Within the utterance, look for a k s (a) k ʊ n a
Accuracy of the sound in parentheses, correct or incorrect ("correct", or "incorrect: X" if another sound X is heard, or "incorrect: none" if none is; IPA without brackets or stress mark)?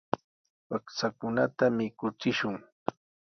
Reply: correct